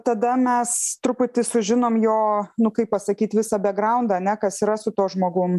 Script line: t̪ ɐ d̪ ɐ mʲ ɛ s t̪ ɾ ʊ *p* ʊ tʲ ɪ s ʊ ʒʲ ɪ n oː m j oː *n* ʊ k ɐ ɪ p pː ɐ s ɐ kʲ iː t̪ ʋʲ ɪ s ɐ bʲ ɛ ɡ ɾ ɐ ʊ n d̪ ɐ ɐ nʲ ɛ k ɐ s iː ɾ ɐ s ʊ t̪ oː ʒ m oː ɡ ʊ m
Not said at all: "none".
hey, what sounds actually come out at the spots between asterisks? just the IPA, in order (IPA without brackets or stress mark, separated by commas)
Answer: p, n